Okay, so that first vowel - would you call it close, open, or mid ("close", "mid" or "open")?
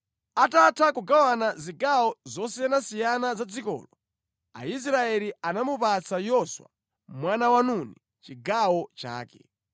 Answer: open